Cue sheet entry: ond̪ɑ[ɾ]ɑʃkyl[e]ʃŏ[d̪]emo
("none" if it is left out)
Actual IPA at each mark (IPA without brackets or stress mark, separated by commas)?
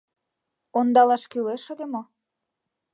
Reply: l, e, d̪